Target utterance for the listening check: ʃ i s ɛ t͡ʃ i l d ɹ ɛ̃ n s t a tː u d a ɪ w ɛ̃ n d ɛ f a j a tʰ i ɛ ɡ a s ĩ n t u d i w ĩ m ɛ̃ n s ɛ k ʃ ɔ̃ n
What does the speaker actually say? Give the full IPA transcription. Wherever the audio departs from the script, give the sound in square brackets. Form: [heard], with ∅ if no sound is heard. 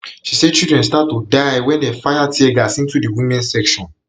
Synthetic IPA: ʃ i s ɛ t͡ʃ i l d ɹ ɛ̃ n s t a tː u d a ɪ w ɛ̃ n d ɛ f a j a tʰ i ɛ ɡ a s ĩ n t u d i w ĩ m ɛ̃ n s ɛ k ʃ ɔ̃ n